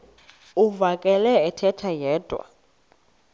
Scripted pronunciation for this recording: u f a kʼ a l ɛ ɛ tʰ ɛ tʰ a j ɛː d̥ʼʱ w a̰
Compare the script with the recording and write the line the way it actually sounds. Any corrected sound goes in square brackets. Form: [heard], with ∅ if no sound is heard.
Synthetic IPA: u [v] a kʼ [ɛ] l ɛ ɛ tʰ ɛ tʰ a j ɛː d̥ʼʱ w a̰